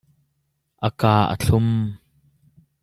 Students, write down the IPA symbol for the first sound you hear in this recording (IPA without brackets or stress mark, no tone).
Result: ʔ